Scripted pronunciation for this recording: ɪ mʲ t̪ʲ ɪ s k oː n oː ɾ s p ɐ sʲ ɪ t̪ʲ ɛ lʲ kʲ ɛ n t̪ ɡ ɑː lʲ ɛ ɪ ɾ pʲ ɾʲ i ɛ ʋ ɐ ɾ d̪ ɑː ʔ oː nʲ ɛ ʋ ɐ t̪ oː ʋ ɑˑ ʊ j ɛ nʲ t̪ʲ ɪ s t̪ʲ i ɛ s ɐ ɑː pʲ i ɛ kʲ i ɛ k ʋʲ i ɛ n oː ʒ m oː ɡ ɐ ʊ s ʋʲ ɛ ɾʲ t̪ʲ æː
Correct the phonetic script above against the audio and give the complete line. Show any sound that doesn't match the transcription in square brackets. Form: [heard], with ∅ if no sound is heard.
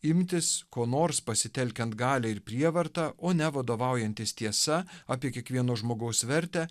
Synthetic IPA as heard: ɪ mʲ t̪ʲ ɪ s k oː n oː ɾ s p ɐ sʲ ɪ t̪ʲ ɛ lʲ kʲ ɛ n t̪ ɡ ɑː lʲ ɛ ɪ ɾ pʲ ɾʲ i ɛ ʋ ɐ ɾ [t̪] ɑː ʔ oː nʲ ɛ ʋ ɐ [d̪] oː ʋ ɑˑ ʊ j ɛ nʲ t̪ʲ ɪ s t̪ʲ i ɛ s ɐ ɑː pʲ i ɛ kʲ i ɛ k ʋʲ i ɛ n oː ʒ m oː ɡ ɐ ʊ s ʋʲ ɛ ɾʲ t̪ʲ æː